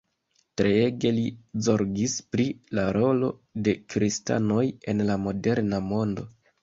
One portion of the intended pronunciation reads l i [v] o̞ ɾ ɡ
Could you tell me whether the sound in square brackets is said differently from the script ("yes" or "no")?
yes